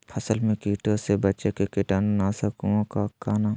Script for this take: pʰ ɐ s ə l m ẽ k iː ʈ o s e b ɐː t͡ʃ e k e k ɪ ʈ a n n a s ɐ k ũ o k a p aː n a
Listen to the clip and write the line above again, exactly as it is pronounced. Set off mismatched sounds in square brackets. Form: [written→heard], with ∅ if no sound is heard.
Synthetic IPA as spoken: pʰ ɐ s ə l m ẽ k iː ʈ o s e b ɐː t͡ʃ e k e k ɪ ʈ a n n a s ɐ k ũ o k a [p→k] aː n a